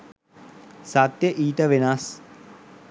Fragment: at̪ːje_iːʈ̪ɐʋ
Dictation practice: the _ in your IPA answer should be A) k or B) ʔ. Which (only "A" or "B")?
B